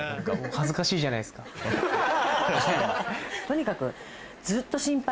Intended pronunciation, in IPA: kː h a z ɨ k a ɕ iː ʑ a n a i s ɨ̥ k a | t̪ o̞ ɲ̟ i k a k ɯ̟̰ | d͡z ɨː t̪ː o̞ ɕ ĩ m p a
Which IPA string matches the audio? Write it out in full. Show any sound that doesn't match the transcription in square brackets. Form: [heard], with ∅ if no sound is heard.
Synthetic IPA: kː h a z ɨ k a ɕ iː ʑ a n a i s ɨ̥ k a | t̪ o̞ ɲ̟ i k a k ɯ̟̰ | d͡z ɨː t̪ː o̞ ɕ ĩ m p a